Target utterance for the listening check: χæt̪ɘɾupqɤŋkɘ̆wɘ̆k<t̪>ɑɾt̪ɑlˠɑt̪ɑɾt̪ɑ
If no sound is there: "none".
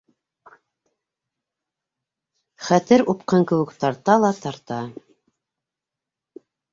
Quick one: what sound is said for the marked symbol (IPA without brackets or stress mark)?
t̪